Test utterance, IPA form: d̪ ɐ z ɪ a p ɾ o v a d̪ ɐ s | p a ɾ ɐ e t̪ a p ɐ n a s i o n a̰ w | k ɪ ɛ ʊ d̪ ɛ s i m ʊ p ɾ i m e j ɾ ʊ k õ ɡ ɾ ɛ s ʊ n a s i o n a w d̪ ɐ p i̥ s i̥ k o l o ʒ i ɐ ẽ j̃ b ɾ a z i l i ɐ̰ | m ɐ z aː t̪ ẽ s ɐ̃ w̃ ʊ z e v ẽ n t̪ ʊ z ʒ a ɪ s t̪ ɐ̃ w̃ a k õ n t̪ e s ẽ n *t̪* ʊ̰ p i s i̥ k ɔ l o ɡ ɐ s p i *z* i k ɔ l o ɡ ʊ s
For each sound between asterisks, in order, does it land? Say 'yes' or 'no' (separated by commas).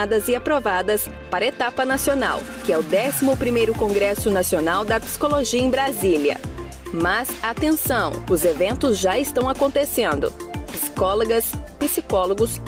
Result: no, no